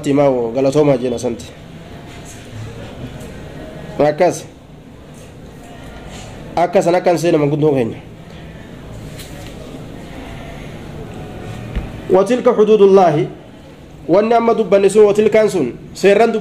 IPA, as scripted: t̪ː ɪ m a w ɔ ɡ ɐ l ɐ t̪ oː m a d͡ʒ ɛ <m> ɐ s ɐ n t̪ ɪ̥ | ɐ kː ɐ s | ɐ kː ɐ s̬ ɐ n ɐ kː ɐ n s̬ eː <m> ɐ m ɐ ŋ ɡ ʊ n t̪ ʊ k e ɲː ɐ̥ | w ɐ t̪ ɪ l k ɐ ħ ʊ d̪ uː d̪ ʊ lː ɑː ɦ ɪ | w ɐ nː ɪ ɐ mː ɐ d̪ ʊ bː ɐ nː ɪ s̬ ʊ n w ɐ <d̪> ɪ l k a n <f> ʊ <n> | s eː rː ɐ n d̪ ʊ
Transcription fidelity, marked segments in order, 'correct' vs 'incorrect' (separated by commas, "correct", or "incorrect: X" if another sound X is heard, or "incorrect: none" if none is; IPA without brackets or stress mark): incorrect: n, incorrect: n, incorrect: t̪, incorrect: s, correct